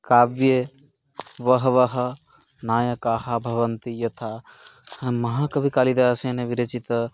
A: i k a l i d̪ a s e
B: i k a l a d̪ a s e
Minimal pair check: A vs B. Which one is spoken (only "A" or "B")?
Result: A